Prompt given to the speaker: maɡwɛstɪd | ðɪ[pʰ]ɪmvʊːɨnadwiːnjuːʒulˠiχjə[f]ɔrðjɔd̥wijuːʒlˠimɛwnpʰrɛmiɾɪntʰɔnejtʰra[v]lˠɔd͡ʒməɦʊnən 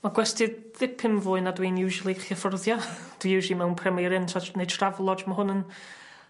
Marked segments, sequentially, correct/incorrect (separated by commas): correct, correct, correct